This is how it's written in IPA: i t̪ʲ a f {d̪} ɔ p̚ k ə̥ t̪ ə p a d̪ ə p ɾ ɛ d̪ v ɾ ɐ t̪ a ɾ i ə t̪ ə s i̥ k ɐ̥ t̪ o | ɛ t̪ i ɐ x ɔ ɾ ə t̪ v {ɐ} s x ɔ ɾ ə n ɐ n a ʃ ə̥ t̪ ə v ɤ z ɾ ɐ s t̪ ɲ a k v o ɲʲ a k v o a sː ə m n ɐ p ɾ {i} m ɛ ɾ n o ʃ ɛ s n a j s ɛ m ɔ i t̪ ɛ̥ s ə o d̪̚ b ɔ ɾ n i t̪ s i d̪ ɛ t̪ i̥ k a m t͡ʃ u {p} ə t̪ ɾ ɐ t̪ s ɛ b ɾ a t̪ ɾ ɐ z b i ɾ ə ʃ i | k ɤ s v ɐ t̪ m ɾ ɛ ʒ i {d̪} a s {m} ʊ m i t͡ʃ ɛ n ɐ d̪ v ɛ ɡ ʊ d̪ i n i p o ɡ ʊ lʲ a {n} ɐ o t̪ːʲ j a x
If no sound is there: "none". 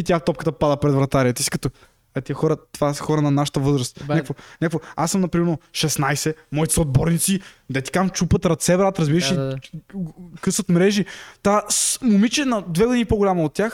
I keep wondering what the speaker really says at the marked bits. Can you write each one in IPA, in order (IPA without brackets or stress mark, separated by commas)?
t̪, a, i, p, t̪, m, m